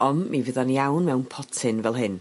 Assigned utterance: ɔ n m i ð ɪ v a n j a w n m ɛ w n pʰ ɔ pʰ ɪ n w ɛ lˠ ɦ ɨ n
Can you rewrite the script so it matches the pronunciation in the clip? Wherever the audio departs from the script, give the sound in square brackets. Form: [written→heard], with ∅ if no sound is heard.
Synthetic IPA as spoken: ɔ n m i [ð→v] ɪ [v→ð] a n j a w n m ɛ w n pʰ ɔ [pʰ→tʰ] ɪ n [w→v] ɛ lˠ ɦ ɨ n